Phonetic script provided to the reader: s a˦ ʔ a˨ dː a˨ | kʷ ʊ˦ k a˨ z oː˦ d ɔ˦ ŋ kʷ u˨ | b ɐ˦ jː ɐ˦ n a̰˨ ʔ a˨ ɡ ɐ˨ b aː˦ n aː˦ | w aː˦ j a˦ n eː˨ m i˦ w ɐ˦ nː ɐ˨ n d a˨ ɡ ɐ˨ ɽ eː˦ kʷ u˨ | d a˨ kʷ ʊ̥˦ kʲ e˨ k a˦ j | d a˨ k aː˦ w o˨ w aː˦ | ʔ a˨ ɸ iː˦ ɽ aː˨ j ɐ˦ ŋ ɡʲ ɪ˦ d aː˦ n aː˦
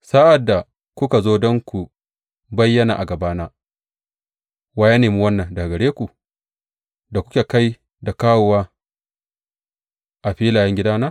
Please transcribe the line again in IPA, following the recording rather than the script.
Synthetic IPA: s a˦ ʔ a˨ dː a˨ | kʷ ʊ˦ k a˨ z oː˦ d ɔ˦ ŋ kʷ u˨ | b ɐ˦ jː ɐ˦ n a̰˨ ʔ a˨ ɡ ɐ˨ b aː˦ n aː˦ | w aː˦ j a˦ n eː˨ m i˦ w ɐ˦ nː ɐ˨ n d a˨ ɡ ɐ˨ ɽ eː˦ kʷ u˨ | d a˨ kʷ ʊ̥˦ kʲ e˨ k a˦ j | d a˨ k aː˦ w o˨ w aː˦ | ʔ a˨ ɸ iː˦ l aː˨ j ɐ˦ ŋ ɡʲ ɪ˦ d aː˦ n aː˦